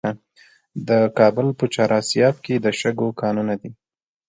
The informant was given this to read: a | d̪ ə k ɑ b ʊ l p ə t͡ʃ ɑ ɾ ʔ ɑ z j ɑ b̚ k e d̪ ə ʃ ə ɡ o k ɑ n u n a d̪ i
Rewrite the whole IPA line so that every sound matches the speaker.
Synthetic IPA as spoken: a | d̪ ə k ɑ b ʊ l p ə t͡ʃ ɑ ɾ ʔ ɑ s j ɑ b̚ k e d̪ ə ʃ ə ɡ o k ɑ n u n a d̪ i